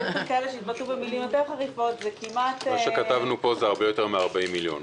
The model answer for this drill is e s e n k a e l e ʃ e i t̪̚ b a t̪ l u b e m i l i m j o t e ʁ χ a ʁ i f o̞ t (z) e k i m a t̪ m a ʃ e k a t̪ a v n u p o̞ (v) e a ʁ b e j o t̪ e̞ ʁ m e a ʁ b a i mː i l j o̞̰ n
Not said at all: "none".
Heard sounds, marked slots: z, z

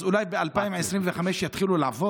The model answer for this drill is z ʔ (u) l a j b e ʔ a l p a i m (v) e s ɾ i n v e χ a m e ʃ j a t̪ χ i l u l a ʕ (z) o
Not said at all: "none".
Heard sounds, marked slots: u, ʕ, v

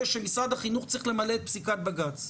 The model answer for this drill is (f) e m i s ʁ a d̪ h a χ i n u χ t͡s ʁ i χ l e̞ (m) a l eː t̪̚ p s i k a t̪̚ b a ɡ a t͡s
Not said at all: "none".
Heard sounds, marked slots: ʃ, m

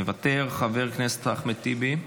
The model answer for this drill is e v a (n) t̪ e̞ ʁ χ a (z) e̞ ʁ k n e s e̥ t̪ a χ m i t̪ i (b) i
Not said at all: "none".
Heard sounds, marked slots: none, v, b

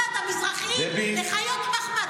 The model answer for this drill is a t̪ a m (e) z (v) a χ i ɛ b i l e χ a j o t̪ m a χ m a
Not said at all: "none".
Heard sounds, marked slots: i, ʁ

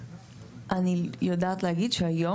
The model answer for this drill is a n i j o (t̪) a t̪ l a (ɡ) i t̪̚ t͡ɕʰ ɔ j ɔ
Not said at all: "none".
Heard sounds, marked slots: d̪, ɡ

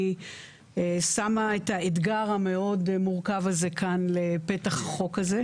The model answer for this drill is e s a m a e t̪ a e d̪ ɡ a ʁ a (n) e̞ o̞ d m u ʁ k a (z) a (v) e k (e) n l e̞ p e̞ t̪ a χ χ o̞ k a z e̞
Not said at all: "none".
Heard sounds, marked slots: m, v, z, a

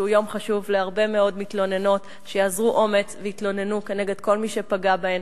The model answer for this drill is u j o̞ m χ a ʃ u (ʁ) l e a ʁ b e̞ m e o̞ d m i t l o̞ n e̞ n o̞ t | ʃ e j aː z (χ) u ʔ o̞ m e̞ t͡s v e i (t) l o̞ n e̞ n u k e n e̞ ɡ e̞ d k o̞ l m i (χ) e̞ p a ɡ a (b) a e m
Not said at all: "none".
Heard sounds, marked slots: v, ʁ, t, ʃ, b

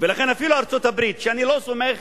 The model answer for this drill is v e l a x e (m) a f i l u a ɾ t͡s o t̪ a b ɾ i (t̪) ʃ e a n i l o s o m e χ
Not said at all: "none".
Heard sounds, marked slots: n, t̪

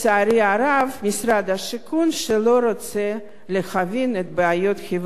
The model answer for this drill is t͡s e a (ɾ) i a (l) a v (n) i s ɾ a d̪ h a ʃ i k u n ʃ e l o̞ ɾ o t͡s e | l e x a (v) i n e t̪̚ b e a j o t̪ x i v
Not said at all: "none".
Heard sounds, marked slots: ɾ, ɾ, m, v

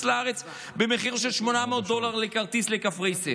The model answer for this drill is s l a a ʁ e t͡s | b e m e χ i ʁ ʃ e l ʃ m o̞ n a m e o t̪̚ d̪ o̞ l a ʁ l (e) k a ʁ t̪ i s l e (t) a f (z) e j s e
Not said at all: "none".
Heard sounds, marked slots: e, k, ʁ

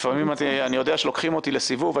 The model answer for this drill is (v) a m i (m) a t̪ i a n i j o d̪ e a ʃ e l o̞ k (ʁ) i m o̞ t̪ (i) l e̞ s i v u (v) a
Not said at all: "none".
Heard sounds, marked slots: f, m, χ, i, v

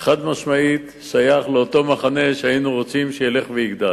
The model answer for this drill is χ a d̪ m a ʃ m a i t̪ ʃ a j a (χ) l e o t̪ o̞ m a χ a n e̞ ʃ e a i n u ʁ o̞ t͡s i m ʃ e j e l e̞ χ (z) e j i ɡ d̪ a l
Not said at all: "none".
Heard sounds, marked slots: χ, v

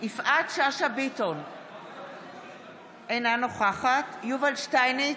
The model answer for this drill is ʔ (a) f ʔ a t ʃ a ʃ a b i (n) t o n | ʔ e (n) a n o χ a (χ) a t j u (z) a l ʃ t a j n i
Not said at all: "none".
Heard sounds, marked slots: i, none, n, χ, v

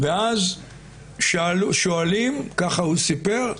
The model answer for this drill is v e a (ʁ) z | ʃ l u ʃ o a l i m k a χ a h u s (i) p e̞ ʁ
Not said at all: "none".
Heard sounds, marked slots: none, i

